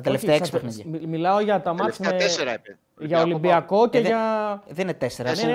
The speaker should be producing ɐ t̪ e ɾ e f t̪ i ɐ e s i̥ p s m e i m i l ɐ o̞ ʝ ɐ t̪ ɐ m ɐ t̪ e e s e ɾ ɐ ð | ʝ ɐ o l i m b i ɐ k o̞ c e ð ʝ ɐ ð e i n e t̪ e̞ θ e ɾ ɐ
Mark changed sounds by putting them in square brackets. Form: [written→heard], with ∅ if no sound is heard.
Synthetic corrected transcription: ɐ t̪ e [ɾ→l] e f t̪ [i→e] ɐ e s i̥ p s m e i m i l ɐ o̞ ʝ ɐ t̪ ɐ m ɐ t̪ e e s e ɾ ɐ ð | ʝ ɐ o l i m b i ɐ k o̞ c e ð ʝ ɐ ð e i n e t̪ e̞ [θ→s] e ɾ ɐ